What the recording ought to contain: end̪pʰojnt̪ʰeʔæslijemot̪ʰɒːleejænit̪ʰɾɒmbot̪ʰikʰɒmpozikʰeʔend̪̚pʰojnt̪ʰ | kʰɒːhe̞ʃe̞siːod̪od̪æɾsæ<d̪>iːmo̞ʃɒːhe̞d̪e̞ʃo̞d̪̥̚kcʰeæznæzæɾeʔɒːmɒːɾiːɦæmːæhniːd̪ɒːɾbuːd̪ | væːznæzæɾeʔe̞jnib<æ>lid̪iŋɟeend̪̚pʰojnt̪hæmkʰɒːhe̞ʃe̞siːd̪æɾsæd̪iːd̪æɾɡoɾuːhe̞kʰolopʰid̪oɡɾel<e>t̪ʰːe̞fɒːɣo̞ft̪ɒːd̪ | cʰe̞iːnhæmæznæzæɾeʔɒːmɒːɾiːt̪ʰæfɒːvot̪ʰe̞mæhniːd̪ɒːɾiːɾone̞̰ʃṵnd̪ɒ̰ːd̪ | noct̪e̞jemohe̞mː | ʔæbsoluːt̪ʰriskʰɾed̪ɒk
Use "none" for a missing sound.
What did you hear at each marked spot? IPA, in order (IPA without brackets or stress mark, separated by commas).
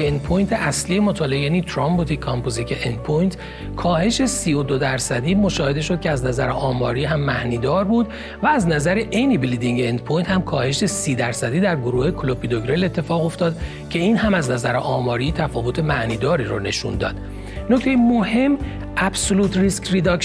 d̪, i, e